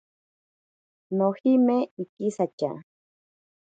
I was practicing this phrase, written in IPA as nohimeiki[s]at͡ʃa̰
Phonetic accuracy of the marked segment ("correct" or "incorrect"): correct